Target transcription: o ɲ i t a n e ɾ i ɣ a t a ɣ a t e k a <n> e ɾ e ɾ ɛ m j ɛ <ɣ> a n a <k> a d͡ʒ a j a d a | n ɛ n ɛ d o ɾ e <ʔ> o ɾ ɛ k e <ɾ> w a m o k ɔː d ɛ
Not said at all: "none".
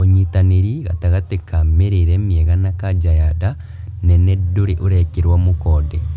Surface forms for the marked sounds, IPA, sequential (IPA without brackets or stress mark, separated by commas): m, ɣ, k, ʔ, ɾ